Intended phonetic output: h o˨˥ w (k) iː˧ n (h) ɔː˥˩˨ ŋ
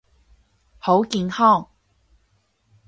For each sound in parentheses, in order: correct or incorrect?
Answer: correct, correct

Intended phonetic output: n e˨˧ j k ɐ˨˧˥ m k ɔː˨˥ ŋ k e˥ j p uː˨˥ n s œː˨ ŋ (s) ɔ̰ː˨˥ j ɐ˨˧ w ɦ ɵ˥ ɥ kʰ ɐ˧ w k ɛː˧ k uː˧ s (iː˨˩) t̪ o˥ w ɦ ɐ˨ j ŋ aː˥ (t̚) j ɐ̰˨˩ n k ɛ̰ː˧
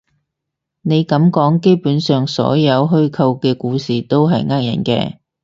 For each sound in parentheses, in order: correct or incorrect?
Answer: correct, correct, incorrect

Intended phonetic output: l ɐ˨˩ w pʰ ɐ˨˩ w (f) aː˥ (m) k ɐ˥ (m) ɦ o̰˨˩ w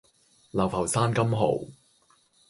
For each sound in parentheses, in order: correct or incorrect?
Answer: incorrect, incorrect, correct

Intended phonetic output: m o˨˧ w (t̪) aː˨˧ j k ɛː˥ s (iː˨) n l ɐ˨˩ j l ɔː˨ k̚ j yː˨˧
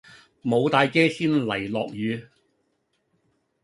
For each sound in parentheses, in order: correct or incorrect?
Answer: correct, incorrect

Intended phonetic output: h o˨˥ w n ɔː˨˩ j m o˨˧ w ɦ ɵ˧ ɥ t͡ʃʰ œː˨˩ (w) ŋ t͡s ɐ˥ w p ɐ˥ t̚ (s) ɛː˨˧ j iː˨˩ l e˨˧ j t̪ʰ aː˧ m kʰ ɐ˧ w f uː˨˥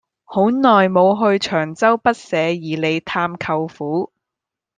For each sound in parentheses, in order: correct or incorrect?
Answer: incorrect, correct

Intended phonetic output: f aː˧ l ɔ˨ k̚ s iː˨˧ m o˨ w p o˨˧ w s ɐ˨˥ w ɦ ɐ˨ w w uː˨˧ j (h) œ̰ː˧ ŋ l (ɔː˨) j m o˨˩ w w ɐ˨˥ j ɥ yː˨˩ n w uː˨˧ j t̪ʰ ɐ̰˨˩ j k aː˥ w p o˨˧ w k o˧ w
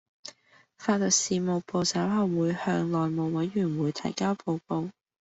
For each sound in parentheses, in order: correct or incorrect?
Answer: correct, correct

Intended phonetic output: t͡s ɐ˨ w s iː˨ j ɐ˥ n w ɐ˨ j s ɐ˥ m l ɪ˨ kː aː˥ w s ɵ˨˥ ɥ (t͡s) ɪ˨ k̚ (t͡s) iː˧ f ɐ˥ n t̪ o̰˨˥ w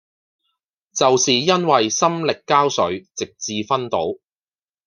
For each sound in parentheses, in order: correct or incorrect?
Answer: correct, correct

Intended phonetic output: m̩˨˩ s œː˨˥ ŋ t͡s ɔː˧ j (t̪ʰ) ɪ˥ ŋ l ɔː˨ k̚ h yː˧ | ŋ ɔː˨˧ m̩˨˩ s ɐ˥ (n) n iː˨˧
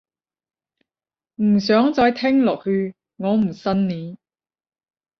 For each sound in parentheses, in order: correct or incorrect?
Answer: correct, correct

